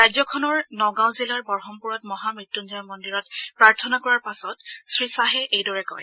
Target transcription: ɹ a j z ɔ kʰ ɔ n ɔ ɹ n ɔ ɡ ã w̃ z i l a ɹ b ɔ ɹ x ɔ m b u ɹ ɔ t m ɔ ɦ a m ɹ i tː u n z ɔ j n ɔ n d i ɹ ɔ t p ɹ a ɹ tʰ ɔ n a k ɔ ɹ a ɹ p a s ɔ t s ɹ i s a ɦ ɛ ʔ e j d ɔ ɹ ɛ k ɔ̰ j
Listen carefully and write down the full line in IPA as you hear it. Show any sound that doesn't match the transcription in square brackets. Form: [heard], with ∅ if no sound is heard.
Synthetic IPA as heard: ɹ a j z ɔ kʰ ɔ n ɔ ɹ n ɔ ɡ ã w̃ z i l a ɹ b ɔ ɹ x ɔ m [p] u ɹ ɔ t m ɔ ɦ a m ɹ i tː u n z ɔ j [m] ɔ n d i ɹ ɔ t p ɹ a ɹ tʰ ɔ n a k ɔ ɹ a ɹ p a s ɔ t s ɹ i s a ɦ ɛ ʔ e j d ɔ ɹ ɛ k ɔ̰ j